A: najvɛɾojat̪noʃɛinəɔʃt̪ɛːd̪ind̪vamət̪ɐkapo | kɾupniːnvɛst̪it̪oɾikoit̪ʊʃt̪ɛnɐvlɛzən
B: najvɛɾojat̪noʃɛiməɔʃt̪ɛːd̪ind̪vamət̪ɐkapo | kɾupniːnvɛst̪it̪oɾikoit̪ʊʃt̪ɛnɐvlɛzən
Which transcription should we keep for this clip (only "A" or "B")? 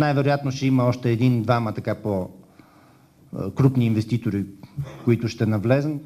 B